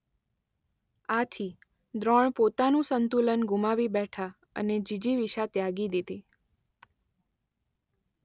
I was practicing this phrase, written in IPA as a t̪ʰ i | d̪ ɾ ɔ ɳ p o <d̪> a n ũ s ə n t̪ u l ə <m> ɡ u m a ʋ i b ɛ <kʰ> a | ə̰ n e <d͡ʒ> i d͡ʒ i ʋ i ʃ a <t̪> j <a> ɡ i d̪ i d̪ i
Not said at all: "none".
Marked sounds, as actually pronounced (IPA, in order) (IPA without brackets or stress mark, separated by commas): t̪, n, ʈʰ, d͡ʒ, t̪, a